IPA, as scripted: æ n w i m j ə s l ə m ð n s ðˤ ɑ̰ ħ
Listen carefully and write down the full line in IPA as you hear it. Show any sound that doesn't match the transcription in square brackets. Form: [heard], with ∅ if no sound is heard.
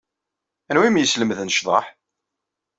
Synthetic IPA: æ n w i m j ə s l ə m ð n [ʃ] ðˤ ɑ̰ ħ